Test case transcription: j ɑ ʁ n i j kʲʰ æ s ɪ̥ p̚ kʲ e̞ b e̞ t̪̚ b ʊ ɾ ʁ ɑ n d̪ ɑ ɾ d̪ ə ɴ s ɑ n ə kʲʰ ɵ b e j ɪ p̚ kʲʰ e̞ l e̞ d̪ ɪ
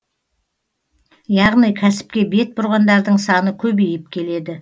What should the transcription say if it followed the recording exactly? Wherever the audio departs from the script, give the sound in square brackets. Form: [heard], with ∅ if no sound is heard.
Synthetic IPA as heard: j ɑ ʁ n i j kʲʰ æ s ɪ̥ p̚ kʲ e̞ b e̞ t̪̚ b ʊ ɾ ʁ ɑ n d̪ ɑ ɾ d̪ ə ɴ s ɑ n ə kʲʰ ɵ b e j ɪ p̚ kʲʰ e̞ l e̞ d̪ ɪ